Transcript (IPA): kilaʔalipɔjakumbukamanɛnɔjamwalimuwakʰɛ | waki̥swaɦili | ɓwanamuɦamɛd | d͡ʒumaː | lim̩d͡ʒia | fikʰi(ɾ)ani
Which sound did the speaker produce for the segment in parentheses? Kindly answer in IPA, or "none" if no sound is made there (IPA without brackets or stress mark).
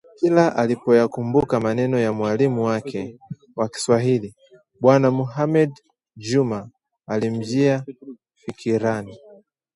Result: ɾ